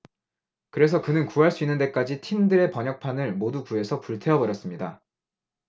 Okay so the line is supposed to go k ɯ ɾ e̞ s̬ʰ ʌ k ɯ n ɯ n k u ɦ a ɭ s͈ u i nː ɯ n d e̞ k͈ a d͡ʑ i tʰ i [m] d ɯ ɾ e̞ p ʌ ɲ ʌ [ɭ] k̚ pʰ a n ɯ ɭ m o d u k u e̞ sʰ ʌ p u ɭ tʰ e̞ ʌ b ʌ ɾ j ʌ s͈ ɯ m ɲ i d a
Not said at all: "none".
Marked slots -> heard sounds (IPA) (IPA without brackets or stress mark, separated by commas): m, none